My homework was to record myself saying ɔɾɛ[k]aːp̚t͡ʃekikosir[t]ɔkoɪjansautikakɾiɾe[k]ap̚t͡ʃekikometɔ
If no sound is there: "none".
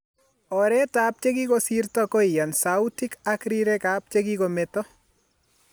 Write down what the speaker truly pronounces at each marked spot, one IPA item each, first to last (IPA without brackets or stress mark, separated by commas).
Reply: t, t, k